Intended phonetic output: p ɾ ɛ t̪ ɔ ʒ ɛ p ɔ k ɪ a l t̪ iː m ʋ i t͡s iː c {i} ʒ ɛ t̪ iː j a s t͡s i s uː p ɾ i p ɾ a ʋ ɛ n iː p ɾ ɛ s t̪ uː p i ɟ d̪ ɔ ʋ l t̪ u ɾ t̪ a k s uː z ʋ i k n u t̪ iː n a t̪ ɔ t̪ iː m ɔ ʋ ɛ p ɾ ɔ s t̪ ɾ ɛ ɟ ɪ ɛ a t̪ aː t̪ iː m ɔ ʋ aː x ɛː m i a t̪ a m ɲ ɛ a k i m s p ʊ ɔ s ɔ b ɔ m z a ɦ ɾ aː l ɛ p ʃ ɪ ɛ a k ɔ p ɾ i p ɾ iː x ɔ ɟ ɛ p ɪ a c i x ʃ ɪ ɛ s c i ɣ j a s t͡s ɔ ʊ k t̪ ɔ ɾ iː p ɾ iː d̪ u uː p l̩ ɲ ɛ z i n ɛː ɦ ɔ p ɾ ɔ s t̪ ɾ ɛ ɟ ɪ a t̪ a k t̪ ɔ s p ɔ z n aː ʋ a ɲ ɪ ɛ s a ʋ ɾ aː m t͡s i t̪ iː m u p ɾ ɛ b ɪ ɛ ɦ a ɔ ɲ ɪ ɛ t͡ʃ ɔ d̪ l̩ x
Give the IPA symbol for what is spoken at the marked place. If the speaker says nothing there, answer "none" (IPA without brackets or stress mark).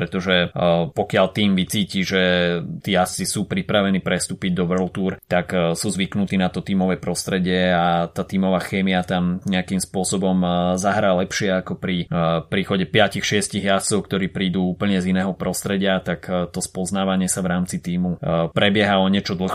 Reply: i